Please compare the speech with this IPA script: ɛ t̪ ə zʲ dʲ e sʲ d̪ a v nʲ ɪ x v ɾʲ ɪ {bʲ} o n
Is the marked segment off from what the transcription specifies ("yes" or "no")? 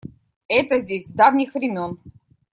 yes